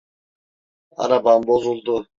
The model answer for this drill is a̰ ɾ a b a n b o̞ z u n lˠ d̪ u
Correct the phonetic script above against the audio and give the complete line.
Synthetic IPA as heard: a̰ ɾ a b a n b o̞ z u lˠ d̪ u